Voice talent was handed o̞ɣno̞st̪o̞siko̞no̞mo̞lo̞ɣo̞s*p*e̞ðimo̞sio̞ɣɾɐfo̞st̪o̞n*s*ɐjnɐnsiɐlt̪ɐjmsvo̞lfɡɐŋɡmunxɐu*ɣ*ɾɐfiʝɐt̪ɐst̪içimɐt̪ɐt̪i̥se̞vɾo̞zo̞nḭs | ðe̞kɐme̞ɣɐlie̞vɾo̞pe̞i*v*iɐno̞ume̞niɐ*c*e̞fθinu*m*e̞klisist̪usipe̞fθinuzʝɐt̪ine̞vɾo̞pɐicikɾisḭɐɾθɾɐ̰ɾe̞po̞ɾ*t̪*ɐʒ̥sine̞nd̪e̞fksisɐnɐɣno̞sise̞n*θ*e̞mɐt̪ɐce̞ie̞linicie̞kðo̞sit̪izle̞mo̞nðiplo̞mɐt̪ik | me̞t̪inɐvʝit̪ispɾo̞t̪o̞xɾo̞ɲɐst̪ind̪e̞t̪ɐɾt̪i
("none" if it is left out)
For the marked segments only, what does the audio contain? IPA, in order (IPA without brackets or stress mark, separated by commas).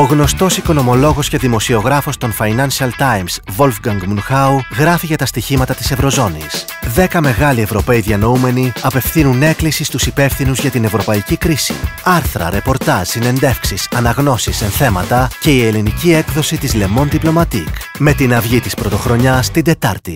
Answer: c, f, ɣ, ð, p, n, t̪, θ